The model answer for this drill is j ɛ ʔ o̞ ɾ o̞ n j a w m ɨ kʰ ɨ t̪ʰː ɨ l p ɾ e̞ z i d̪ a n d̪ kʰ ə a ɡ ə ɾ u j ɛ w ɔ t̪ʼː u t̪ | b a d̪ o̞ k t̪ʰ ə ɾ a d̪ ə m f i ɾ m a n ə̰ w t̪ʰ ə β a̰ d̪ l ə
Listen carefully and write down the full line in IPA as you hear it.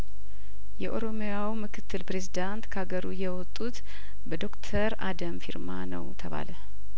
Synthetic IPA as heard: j ɛ ʔ o̞ ɾ o̞ m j a w m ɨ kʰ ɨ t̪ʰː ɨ l p ɾ e̞ z i d̪ a n t̪ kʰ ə a ɡ ə ɾ u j ɛ w ɔ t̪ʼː u t̪ | b ə d̪ o̞ k t̪ʰ ə ɾ a d̪ ə m f i ɾ m a n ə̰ w t̪ʰ ə β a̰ l ə